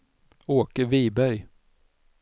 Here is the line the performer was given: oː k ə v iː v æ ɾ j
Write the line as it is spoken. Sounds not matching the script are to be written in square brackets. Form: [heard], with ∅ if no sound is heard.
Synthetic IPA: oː k ə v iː [b] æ ɾ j